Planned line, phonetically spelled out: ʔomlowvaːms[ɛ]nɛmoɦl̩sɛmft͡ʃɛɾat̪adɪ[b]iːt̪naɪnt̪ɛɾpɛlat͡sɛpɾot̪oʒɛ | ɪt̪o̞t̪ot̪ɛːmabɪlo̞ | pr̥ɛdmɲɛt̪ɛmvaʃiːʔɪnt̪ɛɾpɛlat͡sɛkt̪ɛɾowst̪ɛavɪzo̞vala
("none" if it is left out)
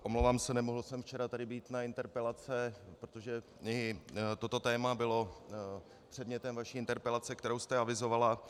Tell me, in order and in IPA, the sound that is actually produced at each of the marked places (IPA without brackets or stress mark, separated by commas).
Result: ɛ, b